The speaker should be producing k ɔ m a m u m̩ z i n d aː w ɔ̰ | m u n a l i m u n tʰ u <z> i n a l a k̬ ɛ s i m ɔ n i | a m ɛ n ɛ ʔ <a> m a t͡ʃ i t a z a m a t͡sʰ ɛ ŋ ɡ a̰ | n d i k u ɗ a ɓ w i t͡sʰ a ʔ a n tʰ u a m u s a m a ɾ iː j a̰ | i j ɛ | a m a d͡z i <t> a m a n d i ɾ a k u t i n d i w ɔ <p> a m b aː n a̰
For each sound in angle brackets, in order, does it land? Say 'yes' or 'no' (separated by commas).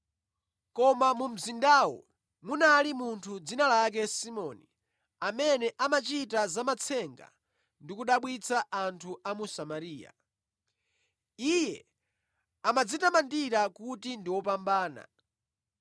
no, yes, yes, yes